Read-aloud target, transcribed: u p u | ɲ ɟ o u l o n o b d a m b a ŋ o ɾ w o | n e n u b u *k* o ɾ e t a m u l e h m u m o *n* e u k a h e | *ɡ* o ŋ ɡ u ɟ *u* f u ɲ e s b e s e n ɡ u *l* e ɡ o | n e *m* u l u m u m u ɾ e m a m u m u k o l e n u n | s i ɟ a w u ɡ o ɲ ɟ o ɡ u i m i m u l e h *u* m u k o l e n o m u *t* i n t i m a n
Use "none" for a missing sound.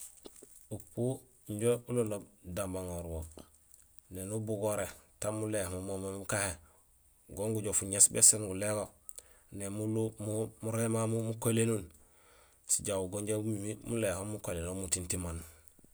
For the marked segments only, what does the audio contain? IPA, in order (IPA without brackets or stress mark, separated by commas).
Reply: ɡ, m, ɡ, o, l, m, o, t